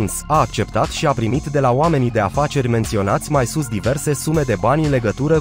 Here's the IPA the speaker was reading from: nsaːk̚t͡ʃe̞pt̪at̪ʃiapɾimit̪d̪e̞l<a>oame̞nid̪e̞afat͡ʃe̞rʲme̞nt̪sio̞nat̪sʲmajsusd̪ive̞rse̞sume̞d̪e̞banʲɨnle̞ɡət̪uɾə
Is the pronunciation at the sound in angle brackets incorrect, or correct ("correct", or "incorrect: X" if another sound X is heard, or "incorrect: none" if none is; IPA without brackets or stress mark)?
correct